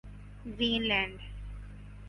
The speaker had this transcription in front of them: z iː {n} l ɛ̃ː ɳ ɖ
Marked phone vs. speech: correct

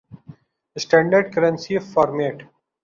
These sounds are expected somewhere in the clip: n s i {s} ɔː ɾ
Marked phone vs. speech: incorrect: f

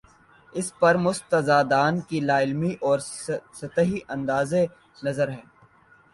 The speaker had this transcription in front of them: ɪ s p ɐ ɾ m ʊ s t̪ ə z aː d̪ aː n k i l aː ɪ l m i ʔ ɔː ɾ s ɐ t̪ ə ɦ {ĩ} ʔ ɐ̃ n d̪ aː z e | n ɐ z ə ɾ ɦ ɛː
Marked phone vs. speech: incorrect: i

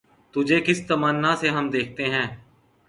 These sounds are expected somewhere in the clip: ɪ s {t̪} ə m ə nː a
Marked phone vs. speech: correct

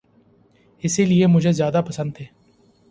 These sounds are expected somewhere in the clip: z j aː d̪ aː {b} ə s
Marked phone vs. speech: incorrect: p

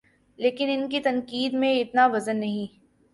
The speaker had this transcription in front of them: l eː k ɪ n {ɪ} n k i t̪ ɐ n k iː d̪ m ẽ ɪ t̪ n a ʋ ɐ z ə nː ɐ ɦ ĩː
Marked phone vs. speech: correct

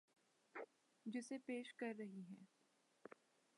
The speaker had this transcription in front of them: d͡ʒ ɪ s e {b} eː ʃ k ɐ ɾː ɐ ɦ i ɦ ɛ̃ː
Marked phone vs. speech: incorrect: p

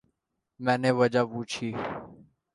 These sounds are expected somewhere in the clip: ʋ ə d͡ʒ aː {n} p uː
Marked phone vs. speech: incorrect: none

